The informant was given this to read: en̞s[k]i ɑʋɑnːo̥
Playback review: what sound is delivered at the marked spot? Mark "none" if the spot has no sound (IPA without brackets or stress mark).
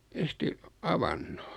t